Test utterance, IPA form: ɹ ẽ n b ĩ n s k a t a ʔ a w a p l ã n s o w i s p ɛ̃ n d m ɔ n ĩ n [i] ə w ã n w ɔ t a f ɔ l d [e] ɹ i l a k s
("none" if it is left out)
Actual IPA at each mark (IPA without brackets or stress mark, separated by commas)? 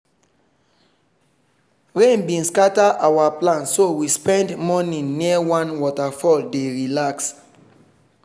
i, e